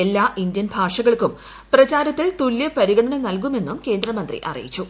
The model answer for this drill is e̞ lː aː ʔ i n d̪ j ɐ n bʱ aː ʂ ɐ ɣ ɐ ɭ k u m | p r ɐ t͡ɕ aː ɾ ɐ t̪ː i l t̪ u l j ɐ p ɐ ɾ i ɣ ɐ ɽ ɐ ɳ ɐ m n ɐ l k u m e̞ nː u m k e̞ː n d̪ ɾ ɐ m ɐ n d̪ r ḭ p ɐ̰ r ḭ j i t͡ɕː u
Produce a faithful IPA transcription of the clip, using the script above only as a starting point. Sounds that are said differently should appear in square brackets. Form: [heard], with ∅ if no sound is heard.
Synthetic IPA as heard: e̞ lː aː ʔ i n d̪ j ɐ n bʱ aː ʂ ɐ ɣ ɐ ɭ k u m | p r ɐ t͡ɕ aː ɾ ɐ t̪ː i l t̪ u l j ɐ p ɐ ɾ i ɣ ɐ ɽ ɐ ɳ ɐ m n ɐ l k u m e̞ nː u m k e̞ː n d̪ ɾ ɐ m ɐ n d̪ r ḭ [ʔ] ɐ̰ r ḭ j i t͡ɕː u